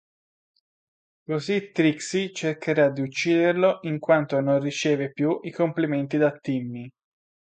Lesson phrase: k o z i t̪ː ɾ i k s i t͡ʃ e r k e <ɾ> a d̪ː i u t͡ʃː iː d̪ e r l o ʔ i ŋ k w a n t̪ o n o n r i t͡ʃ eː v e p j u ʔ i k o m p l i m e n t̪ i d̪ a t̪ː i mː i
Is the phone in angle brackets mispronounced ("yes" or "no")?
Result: no